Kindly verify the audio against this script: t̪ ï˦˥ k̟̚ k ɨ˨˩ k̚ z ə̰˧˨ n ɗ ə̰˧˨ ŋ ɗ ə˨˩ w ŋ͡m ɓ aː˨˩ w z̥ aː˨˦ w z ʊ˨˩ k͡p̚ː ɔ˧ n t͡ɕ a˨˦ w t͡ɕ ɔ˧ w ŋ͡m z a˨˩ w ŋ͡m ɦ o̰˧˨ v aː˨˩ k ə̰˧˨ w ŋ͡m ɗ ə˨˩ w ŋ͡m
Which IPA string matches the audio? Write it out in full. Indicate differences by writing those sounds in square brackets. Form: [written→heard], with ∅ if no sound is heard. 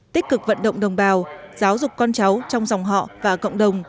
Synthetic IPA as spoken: t̪ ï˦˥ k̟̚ k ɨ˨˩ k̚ [z→v] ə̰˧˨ n ɗ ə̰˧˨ [ŋ→ŋ͡m] ɗ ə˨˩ w ŋ͡m ɓ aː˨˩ w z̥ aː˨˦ w z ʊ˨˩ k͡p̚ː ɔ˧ n t͡ɕ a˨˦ w t͡ɕ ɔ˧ w ŋ͡m z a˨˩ w ŋ͡m ɦ [o̰˧˨→ɔ̰˧˨] v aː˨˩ k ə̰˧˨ w ŋ͡m ɗ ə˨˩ w ŋ͡m